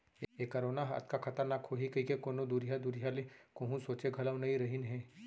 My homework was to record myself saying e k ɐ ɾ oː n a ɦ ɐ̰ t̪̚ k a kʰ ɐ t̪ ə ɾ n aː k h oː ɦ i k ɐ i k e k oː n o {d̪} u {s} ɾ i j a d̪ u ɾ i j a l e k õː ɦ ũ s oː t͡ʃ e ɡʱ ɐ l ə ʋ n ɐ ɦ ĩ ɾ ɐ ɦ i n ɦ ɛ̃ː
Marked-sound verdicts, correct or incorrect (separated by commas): correct, incorrect